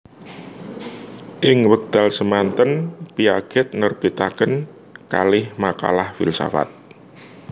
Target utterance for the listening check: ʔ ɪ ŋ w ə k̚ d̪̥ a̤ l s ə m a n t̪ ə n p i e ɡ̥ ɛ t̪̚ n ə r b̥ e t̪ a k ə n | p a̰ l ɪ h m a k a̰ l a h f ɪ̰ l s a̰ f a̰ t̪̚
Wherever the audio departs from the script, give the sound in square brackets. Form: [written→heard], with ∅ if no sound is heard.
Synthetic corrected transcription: ʔ ɪ ŋ w ə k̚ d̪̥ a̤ l s ə m a n t̪ ə n p i [e→a] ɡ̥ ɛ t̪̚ n ə r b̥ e t̪ a k ə n | [p→k] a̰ l ɪ h m a k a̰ l a h f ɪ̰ l s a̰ f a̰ t̪̚